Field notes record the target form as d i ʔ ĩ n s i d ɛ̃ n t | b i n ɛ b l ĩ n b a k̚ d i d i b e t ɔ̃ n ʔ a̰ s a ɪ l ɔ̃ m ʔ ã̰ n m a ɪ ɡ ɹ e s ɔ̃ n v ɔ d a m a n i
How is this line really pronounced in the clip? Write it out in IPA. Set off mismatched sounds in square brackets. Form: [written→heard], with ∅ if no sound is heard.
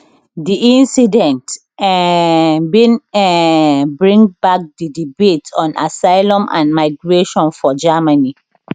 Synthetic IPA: d i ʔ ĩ n s i d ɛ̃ n t | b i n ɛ b [l→ɹ] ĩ [n→ŋ] b a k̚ d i d i b e t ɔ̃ n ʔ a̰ s a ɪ l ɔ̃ m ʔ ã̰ n m a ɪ ɡ ɹ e [s→ʃ] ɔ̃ n [v→f] ɔ [d→d͡ʒ] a m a n i